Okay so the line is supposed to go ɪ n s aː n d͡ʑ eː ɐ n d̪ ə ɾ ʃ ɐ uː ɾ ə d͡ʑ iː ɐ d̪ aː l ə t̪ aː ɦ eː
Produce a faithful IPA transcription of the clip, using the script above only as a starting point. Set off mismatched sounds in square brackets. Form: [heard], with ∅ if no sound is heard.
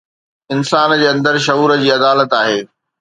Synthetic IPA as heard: ɪ n s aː n d͡ʑ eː [ɐ̃] n d̪ ə ɾ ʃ ɐ uː ɾ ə d͡ʑ iː ɐ d̪ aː l ə t̪ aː ɦ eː

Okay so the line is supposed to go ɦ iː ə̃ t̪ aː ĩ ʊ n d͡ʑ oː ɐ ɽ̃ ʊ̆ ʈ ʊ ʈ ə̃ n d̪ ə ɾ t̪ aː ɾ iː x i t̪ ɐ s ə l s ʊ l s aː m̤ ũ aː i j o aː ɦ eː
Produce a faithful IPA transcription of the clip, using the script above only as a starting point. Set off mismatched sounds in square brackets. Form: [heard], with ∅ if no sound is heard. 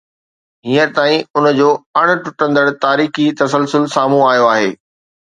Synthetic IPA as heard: ɦ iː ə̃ t̪ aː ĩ ʊ n d͡ʑ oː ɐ ɽ̃ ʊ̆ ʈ ʊ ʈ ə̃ n d̪ ə [ɽ] t̪ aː ɾ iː x i t̪ ɐ s ə l s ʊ l s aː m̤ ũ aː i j o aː ɦ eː

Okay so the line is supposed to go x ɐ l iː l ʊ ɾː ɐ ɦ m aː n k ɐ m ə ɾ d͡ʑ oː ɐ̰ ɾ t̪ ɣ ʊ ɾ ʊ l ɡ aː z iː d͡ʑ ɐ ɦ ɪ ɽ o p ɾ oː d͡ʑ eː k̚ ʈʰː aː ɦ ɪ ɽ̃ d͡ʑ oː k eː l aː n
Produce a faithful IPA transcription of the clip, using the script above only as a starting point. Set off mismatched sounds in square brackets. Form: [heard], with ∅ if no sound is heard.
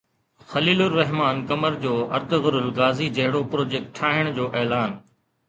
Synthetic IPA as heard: x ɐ l iː l ʊ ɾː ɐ ɦ m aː n k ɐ m ə ɾ d͡ʑ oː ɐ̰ ɾ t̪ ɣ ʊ ɾ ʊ l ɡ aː z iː d͡ʑ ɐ ɦ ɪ ɽ o p ɾ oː d͡ʑ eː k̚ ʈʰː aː ɦ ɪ ɽ̃ d͡ʑ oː [ʔ] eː l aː n

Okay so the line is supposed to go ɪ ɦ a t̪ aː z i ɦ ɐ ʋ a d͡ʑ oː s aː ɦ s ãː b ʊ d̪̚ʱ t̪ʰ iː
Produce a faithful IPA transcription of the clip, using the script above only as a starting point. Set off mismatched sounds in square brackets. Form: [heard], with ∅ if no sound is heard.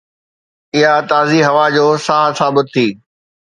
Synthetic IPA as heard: ɪ ɦ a t̪ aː z i ɦ ɐ ʋ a d͡ʑ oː s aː ɦ s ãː b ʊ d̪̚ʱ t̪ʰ iː

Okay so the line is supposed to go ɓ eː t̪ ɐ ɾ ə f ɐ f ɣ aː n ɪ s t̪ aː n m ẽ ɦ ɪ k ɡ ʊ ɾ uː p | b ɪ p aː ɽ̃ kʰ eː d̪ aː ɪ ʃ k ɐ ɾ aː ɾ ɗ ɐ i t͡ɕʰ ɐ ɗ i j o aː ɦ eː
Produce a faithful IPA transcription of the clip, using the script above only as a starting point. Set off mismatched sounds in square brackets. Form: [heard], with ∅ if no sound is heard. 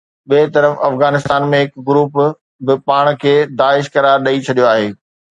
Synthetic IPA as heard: ɓ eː t̪ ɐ ɾ ə f ɐ f ɣ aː n ɪ s t̪ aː n m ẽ ɦ ɪ k ɡ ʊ ɾ uː p | b ɪ p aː ɽ̃ kʰ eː d̪ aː ɪ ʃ k ɐ ɾ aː ɾ ɗ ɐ i t͡ɕʰ ɐ ɗ i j o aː ɦ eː

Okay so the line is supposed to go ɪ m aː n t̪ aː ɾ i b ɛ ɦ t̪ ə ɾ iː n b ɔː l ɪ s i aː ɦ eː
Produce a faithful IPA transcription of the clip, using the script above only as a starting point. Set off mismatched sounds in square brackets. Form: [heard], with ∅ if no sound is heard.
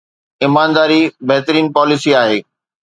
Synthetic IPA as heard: ɪ m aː n [d̪] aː ɾ i b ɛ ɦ t̪ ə ɾ iː n [p] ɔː l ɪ s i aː ɦ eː

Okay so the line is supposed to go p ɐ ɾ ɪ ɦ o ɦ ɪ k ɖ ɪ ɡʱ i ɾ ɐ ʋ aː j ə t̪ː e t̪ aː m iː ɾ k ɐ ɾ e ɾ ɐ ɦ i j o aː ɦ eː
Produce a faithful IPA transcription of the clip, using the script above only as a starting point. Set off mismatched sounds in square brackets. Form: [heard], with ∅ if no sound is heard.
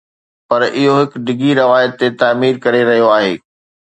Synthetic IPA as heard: p ɐ ɾ ɪ ɦ o ɦ ɪ k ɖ ɪ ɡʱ i ɾ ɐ ʋ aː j ə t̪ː e t̪ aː m iː ɾ k ɐ ɾ e ɾ ɐ ɦ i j o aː ɦ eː

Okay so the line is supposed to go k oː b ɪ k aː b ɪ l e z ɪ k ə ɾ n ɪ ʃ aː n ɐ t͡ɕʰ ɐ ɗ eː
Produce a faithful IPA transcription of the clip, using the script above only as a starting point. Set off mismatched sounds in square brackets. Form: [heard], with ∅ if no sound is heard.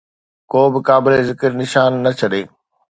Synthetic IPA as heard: k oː b ɪ k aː b ɪ l e z ɪ k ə ɾ n ɪ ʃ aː [nː] ɐ t͡ɕʰ ɐ ɗ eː

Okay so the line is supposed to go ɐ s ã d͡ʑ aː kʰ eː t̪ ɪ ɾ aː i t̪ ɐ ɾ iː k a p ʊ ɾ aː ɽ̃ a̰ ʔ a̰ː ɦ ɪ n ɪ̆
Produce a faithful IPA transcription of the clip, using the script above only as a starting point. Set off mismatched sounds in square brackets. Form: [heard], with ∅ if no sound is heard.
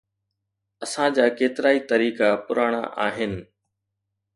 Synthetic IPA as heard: ɐ s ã d͡ʑ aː [k] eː t̪ ɪ ɾ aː i t̪ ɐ ɾ iː k a p ʊ ɾ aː ɽ̃ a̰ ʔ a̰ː ɦ ɪ n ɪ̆

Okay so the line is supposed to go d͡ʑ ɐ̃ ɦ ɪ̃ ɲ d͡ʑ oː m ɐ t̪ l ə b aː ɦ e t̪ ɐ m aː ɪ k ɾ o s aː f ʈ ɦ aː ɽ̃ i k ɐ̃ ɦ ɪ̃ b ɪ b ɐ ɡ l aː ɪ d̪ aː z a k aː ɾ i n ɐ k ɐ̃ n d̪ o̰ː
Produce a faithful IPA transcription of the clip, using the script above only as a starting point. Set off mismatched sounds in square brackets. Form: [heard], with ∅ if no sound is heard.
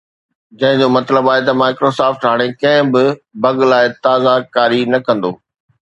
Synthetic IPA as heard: d͡ʑ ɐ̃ ɦ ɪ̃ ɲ d͡ʑ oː m ɐ t̪ l ə b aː ɦ e t̪ ɐ m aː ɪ k ɾ o s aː f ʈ ɦ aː ɽ̃ [e] k ɐ̃ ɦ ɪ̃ b ɪ b ɐ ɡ l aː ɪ [t̪] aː z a k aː ɾ i n ɐ k ɐ̃ n d̪ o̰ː

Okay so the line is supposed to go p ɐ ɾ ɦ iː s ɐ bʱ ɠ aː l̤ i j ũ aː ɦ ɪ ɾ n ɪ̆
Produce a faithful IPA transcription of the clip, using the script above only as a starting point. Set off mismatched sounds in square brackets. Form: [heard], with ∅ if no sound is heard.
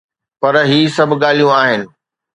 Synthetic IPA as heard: p ɐ ɾ ɦ iː s ɐ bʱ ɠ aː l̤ i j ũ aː ɦ ɪ [∅] n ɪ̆

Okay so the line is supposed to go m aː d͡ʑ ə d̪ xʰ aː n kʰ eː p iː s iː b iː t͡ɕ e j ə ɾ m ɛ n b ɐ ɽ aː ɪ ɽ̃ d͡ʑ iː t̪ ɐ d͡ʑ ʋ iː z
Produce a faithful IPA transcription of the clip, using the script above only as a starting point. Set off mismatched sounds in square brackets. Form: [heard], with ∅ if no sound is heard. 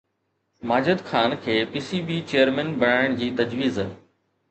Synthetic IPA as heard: m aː d͡ʑ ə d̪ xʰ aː n kʰ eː p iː s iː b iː t͡ɕ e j ə ɾ m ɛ n b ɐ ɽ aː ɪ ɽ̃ d͡ʑ iː t̪ ɐ d͡ʑ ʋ iː z

